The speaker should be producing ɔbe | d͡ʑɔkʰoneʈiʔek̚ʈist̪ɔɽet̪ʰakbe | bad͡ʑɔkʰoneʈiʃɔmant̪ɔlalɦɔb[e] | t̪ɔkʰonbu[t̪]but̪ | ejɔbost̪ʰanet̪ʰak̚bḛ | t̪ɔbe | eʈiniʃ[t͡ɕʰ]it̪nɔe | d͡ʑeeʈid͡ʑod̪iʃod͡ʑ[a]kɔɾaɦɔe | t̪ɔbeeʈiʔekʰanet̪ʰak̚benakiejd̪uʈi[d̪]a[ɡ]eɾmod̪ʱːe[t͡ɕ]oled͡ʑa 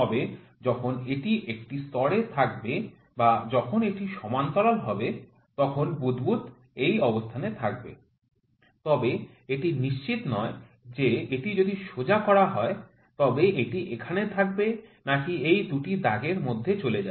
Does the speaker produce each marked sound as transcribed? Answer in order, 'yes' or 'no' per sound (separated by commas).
yes, no, no, yes, yes, yes, yes